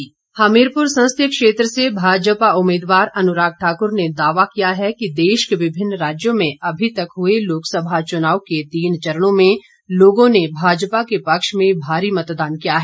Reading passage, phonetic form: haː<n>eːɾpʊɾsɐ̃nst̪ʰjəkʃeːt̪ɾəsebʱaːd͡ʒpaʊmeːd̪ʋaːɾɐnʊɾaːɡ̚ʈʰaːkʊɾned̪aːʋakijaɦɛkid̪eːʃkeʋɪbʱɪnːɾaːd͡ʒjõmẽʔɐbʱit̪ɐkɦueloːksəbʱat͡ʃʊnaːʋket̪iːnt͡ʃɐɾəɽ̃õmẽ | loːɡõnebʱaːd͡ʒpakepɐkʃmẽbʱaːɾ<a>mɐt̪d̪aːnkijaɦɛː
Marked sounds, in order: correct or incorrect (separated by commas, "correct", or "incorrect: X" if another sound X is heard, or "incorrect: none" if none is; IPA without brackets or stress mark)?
incorrect: m, incorrect: i